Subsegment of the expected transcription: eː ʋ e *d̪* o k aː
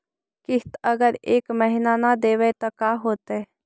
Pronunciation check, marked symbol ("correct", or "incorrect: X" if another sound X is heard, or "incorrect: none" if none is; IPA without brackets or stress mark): incorrect: t̪